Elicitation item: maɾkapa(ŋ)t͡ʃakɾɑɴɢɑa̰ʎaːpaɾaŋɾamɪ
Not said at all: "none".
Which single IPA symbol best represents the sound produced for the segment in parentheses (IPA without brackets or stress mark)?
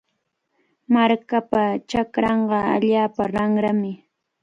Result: none